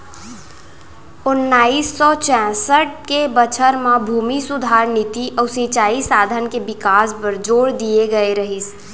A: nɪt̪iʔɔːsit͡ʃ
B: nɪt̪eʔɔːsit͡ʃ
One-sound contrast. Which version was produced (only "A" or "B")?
A